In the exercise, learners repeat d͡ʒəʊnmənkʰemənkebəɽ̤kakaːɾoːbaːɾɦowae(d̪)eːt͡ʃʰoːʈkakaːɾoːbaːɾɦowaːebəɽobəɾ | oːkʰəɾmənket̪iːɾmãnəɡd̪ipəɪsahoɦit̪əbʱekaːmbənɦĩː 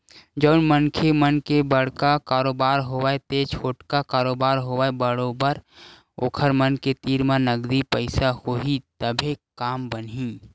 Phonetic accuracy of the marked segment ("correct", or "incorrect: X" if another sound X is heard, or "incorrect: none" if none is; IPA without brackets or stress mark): incorrect: t̪